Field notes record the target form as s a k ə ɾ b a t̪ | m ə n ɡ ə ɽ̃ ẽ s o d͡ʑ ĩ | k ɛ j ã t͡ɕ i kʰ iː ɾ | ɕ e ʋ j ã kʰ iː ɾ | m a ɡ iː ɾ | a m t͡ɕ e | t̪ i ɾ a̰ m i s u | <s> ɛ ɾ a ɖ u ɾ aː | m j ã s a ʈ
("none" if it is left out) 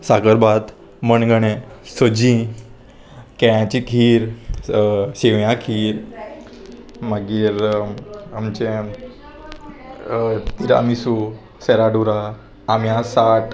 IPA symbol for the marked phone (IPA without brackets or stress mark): s